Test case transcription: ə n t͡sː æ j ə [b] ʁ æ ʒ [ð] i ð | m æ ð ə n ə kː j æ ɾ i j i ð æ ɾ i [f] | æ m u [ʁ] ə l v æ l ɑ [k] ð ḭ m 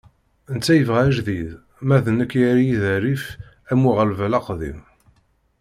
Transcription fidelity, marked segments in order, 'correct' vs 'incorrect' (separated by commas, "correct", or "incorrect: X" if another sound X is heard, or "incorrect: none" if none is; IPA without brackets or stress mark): incorrect: v, correct, correct, correct, incorrect: q